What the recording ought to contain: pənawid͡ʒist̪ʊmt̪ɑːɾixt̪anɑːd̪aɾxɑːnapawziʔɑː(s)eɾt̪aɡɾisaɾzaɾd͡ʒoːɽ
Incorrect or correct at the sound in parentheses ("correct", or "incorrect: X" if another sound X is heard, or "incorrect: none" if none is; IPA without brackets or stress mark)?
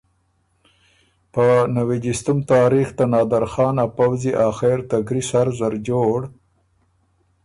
incorrect: x